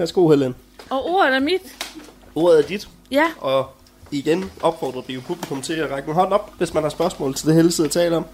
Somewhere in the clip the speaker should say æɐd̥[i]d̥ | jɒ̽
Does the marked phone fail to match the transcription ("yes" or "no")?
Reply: no